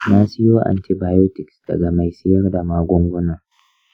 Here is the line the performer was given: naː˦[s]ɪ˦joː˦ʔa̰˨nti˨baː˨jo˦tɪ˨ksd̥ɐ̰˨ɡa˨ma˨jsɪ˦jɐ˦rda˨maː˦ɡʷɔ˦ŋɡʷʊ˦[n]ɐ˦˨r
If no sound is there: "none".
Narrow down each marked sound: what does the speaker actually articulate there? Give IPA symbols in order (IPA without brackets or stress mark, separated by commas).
s, n